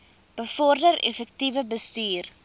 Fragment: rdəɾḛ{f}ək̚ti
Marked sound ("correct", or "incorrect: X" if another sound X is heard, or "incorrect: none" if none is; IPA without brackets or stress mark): correct